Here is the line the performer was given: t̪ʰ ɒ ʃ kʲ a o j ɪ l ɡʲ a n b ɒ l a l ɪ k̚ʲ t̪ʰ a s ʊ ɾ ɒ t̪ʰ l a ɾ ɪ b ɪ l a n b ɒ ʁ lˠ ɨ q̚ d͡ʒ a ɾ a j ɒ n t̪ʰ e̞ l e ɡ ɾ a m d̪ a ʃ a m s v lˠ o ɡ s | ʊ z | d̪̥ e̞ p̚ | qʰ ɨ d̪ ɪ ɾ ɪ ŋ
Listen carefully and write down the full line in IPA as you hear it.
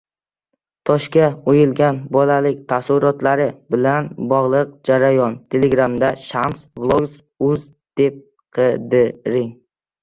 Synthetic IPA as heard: t̪ʰ ɒ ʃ kʲ a o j ɪ l ɡʲ a n b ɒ l a l ɪ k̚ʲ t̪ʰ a s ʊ ɾ ɒ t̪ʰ l a ɾ ɪ b ɪ l a n b ɒ ʁ lˠ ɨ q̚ d͡ʒ a ɾ a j ɒ n t̪ʰ e̞ l e ɡ ɾ a m d̪ a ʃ a m s v lˠ o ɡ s | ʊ z | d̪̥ e̞ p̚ | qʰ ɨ d̪ ɪ ɾ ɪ ŋ